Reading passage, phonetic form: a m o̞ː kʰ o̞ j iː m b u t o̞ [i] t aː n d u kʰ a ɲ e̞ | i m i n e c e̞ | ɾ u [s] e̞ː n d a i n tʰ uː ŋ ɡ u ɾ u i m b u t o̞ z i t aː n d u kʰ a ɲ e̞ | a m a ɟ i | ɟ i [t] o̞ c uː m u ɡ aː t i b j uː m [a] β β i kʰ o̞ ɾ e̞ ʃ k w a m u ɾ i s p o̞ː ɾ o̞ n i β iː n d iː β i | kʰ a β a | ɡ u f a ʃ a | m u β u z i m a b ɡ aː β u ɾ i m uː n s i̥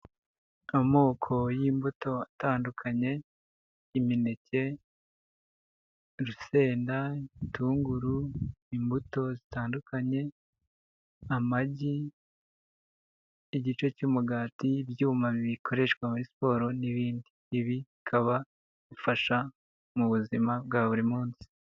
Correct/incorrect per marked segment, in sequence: incorrect, correct, incorrect, correct

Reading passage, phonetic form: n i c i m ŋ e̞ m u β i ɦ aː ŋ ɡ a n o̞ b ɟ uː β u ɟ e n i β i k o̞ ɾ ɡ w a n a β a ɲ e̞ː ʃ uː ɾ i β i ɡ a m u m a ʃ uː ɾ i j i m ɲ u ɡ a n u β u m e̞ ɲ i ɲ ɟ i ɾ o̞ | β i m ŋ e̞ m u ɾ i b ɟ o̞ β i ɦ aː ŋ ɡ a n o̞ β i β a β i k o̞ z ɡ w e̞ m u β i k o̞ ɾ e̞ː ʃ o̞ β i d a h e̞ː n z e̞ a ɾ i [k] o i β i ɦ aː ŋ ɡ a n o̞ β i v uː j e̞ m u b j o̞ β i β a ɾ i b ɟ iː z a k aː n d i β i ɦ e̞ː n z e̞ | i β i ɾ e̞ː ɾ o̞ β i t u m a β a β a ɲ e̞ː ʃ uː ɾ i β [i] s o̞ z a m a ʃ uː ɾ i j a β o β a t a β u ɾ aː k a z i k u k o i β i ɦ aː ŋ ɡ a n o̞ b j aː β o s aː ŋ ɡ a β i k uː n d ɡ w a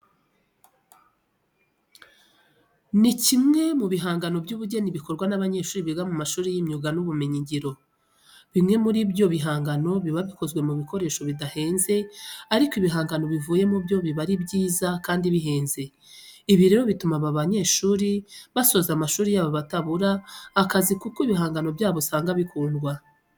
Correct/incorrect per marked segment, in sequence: correct, incorrect

